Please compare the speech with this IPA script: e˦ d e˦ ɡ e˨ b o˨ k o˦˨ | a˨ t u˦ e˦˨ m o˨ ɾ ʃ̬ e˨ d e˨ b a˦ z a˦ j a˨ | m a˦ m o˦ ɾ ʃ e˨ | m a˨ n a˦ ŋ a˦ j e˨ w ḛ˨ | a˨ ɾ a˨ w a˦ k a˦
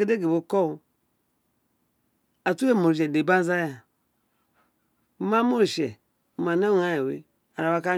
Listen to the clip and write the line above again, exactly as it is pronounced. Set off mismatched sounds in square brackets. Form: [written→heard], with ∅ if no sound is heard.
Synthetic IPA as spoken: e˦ d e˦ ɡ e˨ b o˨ k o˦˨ | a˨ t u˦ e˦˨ m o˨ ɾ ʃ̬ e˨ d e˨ b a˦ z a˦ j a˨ | m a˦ m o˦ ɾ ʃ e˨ | m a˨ n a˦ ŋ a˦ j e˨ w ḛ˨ | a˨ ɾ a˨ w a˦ k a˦